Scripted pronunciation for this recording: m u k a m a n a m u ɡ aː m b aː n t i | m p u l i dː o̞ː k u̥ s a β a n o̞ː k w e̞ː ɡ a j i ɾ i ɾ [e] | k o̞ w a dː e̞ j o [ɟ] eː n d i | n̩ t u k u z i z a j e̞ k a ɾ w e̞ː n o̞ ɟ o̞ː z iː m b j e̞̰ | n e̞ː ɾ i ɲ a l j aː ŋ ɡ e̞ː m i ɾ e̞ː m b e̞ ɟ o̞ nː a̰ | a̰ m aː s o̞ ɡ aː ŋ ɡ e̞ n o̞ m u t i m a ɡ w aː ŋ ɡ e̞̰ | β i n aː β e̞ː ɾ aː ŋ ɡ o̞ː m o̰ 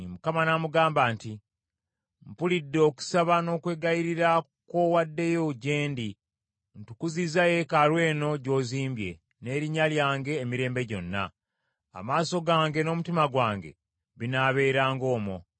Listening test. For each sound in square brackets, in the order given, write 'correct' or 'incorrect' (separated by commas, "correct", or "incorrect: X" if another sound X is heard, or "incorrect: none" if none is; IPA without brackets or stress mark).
incorrect: a, correct